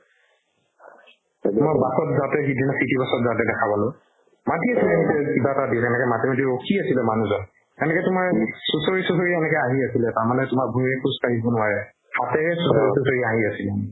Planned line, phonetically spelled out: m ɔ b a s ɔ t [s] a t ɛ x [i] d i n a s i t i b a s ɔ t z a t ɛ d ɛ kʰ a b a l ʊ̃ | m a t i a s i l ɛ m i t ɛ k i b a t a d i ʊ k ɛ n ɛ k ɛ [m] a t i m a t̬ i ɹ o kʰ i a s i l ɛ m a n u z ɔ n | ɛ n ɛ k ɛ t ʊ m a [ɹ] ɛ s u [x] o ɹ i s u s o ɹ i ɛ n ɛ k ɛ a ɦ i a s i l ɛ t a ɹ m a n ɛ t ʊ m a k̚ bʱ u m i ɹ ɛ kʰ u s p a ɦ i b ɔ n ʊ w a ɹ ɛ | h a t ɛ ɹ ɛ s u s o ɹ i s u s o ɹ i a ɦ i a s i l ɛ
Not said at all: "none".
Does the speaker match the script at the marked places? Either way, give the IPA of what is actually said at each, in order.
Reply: z, i, m, ɹ, s

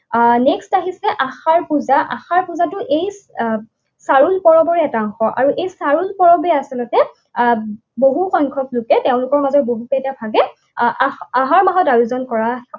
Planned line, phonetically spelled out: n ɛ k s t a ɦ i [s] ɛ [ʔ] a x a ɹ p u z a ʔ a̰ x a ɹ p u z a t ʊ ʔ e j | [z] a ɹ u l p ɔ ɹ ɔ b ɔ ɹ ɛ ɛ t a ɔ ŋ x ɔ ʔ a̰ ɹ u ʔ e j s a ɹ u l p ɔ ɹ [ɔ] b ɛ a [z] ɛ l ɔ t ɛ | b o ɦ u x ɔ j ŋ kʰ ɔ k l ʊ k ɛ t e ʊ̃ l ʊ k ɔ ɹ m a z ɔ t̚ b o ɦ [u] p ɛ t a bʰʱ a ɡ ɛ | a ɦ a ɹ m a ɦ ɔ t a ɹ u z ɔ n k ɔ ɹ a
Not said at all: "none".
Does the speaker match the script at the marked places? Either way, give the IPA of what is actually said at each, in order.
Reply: s, ʔ, s, ɔ, s, u

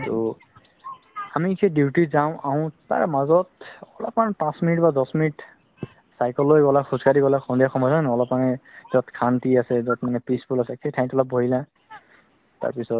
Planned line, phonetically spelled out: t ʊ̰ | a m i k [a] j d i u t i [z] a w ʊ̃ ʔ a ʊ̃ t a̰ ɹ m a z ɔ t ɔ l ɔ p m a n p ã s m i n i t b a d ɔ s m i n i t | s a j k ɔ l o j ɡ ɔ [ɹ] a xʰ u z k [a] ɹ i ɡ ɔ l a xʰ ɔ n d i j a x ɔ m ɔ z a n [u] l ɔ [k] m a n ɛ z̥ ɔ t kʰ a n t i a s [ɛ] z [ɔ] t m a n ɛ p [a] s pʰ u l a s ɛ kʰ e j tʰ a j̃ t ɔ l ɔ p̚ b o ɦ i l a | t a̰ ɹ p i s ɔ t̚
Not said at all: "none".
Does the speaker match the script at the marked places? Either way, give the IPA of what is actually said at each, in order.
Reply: e, z, l, a, ɔ, p, ɛ, ɔ, i

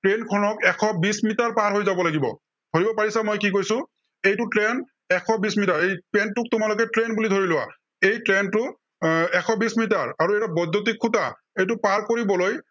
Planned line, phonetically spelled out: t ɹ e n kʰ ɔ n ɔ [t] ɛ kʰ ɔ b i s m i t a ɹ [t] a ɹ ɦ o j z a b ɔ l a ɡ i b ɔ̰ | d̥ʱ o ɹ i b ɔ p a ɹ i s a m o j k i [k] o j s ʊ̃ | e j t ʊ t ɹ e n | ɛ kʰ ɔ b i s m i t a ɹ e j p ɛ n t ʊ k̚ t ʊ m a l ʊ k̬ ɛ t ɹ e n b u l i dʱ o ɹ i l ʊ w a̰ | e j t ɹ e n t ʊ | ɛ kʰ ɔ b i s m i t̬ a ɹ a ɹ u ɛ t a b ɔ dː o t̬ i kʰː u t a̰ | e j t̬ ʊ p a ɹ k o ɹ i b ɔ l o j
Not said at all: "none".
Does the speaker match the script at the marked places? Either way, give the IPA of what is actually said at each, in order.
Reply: k, p, k

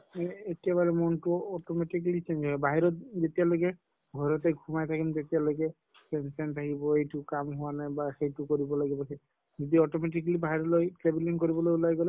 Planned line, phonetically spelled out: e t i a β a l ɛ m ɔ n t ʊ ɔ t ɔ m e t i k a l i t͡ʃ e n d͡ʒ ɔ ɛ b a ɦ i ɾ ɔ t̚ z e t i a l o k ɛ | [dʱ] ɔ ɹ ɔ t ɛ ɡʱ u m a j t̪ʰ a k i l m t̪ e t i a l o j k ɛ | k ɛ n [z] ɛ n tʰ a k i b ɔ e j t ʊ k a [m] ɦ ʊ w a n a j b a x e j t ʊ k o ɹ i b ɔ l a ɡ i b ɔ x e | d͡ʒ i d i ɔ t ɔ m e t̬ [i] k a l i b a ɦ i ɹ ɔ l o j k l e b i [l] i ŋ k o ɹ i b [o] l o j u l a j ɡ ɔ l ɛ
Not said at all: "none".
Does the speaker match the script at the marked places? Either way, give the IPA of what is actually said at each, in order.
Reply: ɡʱ, s, m, i, l, ɔ

